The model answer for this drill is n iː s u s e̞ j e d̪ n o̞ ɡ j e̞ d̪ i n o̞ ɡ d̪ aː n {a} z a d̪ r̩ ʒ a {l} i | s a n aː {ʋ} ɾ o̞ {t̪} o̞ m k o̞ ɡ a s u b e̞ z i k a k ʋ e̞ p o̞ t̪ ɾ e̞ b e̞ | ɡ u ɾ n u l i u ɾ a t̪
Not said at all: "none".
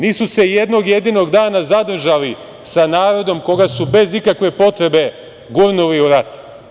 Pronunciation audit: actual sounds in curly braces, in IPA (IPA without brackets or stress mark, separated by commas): a, l, none, d̪